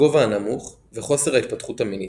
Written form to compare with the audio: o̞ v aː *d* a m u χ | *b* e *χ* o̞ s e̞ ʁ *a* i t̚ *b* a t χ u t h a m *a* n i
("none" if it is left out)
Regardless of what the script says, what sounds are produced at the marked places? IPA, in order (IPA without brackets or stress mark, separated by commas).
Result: n, v, χ, a, p, i